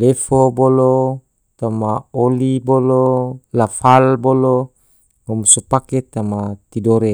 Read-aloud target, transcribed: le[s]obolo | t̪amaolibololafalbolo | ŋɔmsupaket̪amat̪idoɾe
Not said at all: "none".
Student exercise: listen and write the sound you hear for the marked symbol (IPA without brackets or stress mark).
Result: f